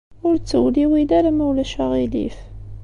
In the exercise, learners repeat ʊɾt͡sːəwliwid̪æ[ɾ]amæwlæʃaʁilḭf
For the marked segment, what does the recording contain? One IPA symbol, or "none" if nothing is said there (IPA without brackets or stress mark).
ɾ